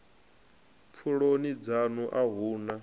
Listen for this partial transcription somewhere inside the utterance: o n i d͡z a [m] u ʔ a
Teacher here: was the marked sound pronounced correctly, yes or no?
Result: no